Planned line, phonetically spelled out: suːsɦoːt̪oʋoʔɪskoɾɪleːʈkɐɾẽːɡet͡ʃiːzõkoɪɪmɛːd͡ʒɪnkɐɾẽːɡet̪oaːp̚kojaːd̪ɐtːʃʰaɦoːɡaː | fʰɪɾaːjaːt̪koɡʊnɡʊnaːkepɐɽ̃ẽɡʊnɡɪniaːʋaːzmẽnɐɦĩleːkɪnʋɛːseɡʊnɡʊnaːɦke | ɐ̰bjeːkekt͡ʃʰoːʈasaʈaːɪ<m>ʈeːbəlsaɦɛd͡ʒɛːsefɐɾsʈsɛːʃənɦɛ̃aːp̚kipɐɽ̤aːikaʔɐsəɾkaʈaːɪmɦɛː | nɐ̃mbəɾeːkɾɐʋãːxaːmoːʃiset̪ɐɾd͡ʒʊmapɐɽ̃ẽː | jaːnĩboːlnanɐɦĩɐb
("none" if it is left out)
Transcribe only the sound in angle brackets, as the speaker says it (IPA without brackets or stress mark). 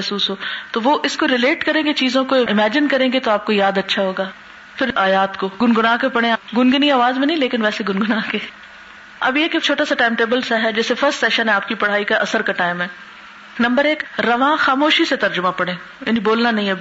m